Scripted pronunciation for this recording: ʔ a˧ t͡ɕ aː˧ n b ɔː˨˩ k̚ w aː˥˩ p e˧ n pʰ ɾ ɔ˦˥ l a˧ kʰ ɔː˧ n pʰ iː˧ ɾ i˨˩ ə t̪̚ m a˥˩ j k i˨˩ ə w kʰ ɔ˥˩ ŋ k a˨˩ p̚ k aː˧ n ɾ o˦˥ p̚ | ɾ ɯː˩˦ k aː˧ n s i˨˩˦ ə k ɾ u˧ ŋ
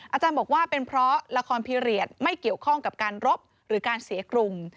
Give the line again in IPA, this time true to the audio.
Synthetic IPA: ʔ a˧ t͡ɕ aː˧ n b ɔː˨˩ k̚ w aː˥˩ p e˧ n pʰ ɾ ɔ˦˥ l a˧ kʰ ɔː˧ n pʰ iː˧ ɾ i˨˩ ə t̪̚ m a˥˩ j k i˨˩ ə w kʰ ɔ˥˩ ŋ k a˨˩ p̚ k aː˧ n ɾ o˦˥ p̚ | ɾ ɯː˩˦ k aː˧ n s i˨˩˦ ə k ɾ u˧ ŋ

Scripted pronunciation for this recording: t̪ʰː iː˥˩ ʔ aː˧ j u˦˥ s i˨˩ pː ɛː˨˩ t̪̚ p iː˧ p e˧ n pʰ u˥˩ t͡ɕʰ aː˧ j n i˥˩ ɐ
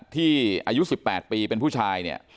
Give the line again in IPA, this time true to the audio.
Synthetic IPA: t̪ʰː iː˥˩ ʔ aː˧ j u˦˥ s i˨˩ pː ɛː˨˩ t̪̚ p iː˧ p e˧ n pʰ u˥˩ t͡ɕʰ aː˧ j n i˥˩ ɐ

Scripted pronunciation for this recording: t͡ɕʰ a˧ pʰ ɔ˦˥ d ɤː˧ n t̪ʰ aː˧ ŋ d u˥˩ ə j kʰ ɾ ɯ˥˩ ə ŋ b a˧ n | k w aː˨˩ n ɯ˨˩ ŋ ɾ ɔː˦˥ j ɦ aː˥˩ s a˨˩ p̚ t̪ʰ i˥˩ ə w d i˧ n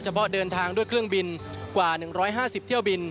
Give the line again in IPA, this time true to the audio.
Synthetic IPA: t͡ɕʰ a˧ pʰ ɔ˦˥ d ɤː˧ n t̪ʰ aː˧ ŋ d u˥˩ ə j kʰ ɾ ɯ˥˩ ə ŋ b i˧ n | k w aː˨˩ n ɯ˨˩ ŋ ɾ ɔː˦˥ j ɦ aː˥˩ s i˨˩ p̚ t̪ʰ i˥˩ ə w b i˧ n

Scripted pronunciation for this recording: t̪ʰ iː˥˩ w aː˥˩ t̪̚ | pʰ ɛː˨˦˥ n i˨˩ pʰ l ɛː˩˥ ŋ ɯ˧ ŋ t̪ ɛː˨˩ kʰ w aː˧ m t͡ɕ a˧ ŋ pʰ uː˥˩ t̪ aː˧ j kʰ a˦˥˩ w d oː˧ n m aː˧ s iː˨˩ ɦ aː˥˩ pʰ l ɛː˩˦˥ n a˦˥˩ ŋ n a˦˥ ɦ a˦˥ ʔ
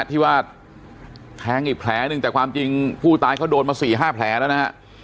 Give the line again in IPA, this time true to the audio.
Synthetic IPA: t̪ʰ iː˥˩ w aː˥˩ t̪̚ | pʰ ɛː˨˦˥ ŋ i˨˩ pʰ l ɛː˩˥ n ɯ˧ ŋ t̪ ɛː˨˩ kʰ w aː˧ m t͡ɕ i˧ ŋ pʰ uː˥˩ t̪ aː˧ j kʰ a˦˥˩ w d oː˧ n m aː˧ s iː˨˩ ɦ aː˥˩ pʰ l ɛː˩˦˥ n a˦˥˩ n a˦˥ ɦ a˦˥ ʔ

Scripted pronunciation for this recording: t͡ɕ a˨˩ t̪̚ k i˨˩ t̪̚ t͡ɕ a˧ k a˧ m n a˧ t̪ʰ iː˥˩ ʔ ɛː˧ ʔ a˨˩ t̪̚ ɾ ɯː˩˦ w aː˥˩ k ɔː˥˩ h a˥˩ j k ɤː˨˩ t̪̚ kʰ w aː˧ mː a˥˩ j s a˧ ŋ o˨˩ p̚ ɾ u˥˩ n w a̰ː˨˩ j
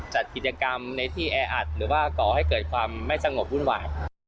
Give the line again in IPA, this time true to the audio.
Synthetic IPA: t͡ɕ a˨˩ t̪̚ k i˨˩ t̪̚ t͡ɕ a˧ k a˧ m n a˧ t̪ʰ iː˥˩ ʔ ɛː˧ ʔ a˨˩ t̪̚ ɾ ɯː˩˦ w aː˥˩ k ɔː˨˩ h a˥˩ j k ɤː˨˩ t̪̚ kʰ w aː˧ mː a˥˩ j s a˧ ŋ o˨˩ p̚ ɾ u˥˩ n w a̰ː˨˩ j

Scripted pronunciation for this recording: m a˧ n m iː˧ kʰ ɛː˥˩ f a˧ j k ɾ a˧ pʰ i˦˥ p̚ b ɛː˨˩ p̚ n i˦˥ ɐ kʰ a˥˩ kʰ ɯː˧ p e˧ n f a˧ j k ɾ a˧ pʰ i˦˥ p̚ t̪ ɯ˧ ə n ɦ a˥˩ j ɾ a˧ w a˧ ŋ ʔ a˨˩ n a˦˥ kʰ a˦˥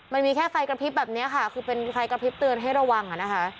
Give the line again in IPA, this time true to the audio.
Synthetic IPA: m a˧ n m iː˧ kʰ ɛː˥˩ f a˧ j k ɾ a˧ pʰ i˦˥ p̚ b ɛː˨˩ p̚ n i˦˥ ɐ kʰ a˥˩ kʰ ɯː˧ p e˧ n f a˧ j k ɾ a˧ pʰ i˦˥ p̚ t̪ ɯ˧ ə n ɦ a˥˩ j ɾ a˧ w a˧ ŋ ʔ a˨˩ n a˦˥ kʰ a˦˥

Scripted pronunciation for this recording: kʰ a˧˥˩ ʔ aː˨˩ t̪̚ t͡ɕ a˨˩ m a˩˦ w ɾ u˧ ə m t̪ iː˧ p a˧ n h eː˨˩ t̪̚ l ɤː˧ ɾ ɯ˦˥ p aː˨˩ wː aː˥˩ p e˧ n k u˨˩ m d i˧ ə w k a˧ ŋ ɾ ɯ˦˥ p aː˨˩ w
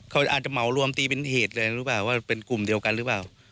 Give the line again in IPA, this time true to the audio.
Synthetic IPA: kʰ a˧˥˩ ʔ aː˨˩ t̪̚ t͡ɕ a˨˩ m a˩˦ w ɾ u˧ ə m t̪ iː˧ p e˧ n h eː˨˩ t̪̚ l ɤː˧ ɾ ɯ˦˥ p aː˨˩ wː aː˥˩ p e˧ n k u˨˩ m d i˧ ə w k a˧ n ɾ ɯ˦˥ p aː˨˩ w

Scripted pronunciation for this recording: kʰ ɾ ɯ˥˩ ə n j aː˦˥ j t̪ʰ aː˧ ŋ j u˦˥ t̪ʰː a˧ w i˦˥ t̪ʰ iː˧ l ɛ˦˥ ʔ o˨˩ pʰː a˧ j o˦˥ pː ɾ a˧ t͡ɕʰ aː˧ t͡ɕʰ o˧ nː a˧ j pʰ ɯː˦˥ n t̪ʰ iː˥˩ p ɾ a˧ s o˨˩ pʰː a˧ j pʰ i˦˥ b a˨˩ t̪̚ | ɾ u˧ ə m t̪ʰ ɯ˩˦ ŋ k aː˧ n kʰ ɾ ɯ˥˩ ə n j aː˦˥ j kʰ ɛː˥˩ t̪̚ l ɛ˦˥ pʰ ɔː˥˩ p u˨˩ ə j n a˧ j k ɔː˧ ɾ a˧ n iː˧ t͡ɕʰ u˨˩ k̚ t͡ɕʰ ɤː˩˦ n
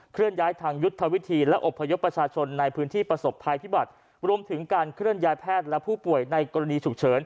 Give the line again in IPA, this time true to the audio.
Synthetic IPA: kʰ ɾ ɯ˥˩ ə n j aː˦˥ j t̪ʰ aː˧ ŋ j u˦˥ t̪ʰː a˧ w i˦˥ t̪ʰ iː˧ l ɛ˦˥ ʔ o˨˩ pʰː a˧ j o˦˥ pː ɾ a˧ t͡ɕʰ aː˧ t͡ɕʰ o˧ nː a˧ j pʰ ɯː˦˥ n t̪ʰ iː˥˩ p ɾ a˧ s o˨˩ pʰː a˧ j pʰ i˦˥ b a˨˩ t̪̚ | ɾ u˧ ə m t̪ʰ ɯ˩˦ ŋ k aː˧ n kʰ ɾ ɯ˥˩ ə n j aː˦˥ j pʰ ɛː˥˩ t̪̚ l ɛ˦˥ pʰ uː˥˩ p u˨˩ ə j n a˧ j k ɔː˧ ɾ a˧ n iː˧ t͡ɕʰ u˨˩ k̚ t͡ɕʰ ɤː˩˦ n

